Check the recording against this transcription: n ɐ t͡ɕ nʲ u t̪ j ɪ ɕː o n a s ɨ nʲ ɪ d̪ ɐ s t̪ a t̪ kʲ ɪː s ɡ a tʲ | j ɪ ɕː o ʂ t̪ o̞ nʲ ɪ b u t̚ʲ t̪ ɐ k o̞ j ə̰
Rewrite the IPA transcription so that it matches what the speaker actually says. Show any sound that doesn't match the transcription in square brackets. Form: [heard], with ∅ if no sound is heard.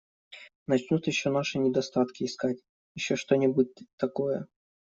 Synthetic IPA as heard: n ɐ t͡ɕ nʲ u t̪ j ɪ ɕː o n a [ʂ] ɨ nʲ ɪ d̪ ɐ s t̪ a t̪ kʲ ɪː s [k] a tʲ | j ɪ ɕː o ʂ t̪ o̞ nʲ ɪ b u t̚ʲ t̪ ɐ k o̞ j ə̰